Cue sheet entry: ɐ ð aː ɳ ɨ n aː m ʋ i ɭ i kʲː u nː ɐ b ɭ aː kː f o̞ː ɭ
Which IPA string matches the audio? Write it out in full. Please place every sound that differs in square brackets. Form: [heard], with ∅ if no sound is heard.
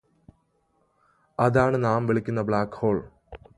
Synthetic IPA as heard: ɐ ð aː ɳ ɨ n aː m ʋ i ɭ i kʲː u nː ɐ b ɭ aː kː [h] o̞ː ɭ